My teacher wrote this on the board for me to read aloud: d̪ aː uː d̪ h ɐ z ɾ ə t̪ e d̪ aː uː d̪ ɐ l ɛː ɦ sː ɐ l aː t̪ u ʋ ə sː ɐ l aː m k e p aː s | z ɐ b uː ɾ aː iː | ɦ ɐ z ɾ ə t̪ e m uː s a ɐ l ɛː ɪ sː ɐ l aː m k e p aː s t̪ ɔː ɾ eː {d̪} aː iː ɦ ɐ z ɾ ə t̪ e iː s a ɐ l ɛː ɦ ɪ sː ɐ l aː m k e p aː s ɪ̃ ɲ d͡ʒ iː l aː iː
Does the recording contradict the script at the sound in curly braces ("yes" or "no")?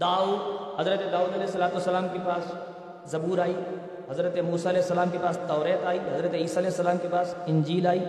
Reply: yes